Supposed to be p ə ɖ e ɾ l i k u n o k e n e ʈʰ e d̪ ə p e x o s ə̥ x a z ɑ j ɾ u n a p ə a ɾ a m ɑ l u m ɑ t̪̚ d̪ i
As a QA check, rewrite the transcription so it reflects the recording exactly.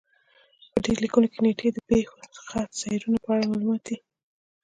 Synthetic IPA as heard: p ə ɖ e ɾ l i k u n o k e n e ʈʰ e d̪ ə p e x o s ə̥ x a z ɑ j ɾ u n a p ə a ɽ a m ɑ l u m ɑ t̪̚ d̪ i